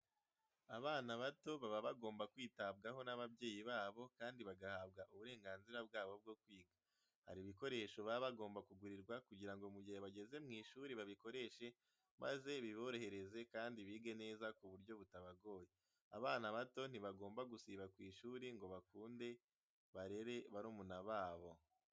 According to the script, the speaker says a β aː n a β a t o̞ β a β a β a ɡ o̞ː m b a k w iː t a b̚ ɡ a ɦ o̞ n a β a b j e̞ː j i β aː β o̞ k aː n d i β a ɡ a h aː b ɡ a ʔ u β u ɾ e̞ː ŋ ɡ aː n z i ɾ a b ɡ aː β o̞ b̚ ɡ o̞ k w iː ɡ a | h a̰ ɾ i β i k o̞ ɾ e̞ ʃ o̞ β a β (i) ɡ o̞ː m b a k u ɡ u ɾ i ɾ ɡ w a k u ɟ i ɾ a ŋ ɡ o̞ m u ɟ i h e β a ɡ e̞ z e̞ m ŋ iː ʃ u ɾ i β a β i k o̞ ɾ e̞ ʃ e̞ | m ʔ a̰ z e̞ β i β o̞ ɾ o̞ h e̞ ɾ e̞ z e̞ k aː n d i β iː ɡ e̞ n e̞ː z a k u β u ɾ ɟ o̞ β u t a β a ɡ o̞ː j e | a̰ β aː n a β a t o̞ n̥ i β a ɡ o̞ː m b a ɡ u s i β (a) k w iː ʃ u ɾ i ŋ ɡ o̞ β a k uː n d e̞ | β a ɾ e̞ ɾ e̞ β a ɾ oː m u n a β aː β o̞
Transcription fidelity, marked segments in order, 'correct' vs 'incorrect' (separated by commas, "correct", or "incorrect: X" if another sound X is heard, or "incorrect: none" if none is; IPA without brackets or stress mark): incorrect: a, correct